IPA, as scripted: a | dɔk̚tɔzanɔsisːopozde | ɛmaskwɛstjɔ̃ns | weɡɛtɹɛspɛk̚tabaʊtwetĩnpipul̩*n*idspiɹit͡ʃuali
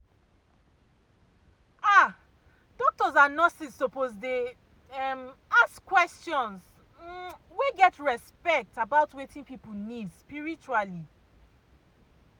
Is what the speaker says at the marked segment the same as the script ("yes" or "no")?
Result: yes